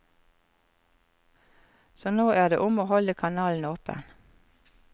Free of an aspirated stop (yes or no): no